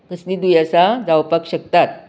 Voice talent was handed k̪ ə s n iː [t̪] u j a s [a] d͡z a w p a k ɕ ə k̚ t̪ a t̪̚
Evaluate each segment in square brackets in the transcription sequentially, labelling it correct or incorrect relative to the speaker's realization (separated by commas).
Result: incorrect, correct